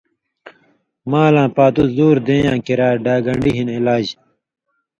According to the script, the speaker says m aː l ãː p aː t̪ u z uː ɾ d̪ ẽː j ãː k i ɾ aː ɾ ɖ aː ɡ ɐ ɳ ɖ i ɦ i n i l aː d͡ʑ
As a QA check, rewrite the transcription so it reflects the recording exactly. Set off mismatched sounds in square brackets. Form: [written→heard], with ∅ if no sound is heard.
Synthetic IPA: m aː l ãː p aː t̪ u z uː ɾ d̪ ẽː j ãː k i ɾ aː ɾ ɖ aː ɡ ɐ ɳ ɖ i ɦ i n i l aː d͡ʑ